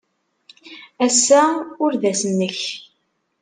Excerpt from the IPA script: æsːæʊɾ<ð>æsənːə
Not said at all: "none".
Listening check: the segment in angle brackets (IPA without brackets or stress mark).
ð